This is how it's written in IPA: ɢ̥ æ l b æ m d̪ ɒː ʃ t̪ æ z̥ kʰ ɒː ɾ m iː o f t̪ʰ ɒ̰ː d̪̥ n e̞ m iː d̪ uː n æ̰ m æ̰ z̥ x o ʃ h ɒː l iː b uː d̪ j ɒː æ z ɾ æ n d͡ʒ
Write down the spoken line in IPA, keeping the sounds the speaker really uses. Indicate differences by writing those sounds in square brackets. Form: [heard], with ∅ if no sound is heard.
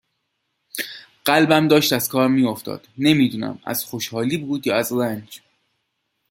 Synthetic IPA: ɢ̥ æ l b æ m d̪ ɒː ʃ t̪ æ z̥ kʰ ɒː ɾ m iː o f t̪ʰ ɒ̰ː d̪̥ n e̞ m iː d̪ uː n æ̰ m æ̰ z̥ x o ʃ h ɒː l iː b uː d̪ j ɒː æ z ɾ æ n d͡ʒ